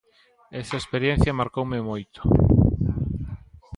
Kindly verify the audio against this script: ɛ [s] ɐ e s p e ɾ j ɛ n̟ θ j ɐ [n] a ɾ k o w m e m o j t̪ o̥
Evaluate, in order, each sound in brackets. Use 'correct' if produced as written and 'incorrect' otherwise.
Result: correct, incorrect

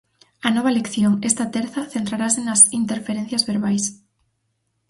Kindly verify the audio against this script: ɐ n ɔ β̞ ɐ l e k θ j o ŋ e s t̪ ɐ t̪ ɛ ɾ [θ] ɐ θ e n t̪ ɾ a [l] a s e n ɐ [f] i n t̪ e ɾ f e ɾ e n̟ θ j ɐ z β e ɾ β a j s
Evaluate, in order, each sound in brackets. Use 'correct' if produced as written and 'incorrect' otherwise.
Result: correct, incorrect, incorrect

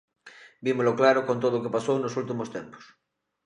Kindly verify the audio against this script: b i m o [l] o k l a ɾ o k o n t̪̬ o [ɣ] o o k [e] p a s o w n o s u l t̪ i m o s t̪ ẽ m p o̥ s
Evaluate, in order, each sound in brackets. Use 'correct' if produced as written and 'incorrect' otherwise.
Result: correct, incorrect, correct

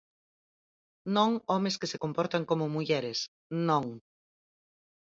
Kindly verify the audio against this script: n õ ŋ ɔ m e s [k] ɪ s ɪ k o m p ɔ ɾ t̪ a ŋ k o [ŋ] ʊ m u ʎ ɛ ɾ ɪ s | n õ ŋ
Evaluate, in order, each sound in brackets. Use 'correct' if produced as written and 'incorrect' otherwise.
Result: correct, incorrect

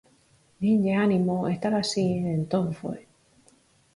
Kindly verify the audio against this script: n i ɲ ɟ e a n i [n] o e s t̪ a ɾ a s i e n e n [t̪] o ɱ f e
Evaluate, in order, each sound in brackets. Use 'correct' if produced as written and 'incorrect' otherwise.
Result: incorrect, correct

